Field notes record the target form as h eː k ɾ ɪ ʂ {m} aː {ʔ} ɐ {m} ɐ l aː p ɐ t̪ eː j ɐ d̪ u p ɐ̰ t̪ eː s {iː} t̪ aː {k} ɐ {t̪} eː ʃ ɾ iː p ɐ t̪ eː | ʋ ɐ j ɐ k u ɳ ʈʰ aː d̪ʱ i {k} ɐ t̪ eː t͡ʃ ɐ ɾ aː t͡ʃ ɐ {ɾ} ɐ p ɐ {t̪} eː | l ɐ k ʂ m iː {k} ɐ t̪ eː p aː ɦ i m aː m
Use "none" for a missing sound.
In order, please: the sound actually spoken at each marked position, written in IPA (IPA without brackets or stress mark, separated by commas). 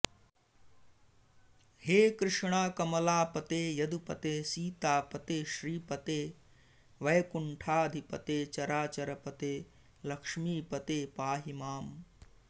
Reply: ɳ, k, m, iː, p, t̪, p, ɾ, t̪, p